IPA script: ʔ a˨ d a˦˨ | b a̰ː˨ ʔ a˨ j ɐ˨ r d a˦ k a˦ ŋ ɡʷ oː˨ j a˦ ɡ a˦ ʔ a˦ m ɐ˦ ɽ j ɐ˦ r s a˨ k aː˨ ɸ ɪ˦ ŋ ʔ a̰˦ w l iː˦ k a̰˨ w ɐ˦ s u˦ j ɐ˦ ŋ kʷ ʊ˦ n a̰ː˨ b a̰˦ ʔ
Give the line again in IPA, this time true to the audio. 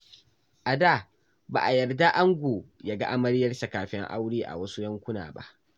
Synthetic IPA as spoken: ʔ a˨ d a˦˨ | b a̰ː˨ ʔ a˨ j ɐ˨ r d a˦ ʔ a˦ ŋ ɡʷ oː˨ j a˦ ɡ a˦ ʔ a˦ m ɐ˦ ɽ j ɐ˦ r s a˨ k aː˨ ɸ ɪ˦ ŋ ʔ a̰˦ w ɽ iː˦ ʔ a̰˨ w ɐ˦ s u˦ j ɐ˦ ŋ kʷ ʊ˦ n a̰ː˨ b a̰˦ ʔ